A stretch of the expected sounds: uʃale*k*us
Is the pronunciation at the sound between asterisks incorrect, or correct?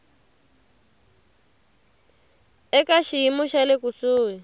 correct